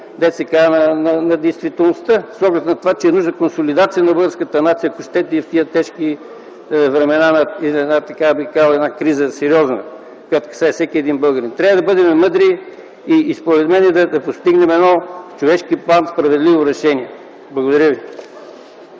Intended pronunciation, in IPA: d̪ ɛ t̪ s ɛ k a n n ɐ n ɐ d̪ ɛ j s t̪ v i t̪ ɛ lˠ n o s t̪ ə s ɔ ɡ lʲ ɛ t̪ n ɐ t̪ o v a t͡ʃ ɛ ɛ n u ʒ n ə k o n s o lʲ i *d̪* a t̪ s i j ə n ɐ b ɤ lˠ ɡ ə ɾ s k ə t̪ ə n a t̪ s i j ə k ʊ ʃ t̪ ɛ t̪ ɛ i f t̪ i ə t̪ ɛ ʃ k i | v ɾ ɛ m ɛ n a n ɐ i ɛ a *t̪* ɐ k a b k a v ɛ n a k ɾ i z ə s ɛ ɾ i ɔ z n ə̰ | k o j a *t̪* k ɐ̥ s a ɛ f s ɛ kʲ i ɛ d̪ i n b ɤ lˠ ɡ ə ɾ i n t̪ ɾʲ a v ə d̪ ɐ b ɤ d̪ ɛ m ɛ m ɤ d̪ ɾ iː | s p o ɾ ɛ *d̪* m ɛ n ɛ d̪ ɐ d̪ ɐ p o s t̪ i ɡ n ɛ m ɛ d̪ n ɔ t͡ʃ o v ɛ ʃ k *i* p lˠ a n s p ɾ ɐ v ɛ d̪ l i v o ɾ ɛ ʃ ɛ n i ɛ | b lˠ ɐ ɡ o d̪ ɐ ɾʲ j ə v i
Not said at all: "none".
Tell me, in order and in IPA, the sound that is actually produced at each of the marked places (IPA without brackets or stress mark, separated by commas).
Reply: d̪, t̪, t̪, t̪, i